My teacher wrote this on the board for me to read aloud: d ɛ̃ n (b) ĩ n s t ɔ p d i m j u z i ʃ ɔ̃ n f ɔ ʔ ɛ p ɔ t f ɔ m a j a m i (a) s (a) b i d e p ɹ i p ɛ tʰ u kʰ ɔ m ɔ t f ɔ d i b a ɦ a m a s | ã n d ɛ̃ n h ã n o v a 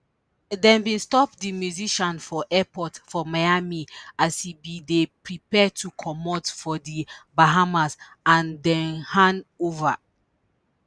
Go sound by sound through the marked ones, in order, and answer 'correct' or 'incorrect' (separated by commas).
correct, correct, incorrect